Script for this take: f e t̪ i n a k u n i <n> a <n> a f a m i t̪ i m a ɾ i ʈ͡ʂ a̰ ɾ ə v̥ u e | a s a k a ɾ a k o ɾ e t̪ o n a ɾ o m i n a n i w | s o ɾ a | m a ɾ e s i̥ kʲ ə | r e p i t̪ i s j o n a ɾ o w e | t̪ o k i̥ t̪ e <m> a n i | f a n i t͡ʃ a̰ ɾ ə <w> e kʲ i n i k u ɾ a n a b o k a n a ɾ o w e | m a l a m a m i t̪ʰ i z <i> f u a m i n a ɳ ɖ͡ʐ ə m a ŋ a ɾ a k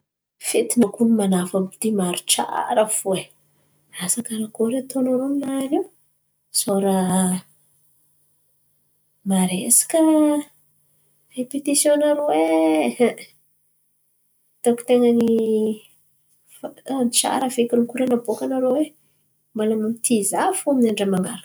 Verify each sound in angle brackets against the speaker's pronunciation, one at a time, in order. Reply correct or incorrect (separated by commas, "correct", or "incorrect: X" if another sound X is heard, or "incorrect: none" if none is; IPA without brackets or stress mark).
incorrect: m, correct, incorrect: ŋ, incorrect: v, incorrect: a